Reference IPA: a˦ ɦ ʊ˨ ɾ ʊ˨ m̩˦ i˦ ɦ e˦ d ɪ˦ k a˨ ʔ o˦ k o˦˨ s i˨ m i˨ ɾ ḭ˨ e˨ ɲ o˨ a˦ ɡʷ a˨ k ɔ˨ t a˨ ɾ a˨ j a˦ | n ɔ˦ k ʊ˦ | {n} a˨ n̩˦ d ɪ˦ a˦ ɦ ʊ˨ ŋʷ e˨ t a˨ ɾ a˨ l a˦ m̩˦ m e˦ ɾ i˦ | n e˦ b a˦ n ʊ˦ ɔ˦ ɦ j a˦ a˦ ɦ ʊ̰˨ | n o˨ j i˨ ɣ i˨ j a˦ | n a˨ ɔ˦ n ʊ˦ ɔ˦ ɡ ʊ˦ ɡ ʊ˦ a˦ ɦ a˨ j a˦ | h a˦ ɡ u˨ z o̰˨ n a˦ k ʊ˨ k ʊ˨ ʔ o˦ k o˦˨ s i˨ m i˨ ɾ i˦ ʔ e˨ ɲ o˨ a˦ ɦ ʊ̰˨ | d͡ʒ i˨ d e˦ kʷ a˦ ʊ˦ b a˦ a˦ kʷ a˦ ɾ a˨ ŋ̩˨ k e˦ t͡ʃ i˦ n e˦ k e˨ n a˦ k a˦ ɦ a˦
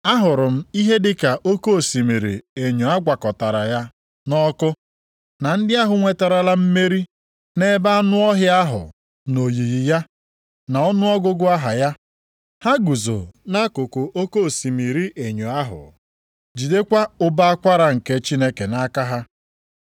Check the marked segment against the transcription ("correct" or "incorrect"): correct